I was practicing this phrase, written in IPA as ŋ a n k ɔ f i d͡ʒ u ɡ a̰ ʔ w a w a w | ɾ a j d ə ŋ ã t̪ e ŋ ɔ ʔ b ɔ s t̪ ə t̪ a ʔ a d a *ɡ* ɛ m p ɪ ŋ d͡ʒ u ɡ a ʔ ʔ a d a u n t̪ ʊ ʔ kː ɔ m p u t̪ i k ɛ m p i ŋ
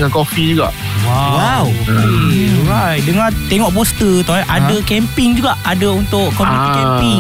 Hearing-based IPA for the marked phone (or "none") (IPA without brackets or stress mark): k